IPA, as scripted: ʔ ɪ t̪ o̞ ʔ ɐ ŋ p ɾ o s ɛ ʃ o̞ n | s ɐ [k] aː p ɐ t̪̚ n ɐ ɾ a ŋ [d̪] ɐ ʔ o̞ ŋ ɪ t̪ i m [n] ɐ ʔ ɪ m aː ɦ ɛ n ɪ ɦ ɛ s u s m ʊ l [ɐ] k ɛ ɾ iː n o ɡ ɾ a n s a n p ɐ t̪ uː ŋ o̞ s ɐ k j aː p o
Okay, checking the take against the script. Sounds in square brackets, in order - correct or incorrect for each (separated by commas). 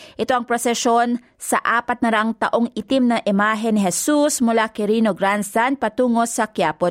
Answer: incorrect, incorrect, correct, incorrect